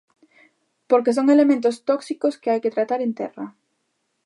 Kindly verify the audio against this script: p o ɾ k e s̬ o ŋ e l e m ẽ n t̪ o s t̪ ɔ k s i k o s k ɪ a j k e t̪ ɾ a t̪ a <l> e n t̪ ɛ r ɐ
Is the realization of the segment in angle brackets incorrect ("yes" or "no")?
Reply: yes